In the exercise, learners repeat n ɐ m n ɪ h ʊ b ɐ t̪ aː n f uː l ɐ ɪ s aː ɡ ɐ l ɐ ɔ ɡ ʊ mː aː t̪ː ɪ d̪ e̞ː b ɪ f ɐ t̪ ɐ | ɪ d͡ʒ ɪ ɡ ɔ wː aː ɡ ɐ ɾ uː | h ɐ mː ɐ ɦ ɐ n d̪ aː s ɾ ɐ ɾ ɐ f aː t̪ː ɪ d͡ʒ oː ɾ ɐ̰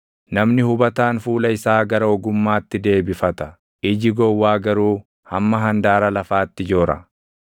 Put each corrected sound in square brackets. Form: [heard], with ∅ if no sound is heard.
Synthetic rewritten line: n ɐ m n ɪ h ʊ b ɐ t̪ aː n f uː l ɐ ɪ s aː ɡ ɐ [ɾ] ɐ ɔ ɡ ʊ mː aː t̪ː ɪ d̪ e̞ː b ɪ f ɐ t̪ ɐ | ɪ d͡ʒ ɪ ɡ ɔ wː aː ɡ ɐ ɾ uː | h ɐ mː ɐ ɦ ɐ n d̪ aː [∅] ɾ ɐ [l] ɐ f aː t̪ː ɪ d͡ʒ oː ɾ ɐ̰